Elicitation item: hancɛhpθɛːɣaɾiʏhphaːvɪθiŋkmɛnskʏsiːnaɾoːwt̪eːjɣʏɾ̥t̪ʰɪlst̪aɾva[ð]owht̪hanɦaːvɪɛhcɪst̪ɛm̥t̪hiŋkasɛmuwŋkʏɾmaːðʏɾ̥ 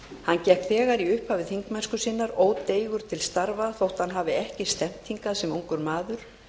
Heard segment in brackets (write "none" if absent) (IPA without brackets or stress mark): θ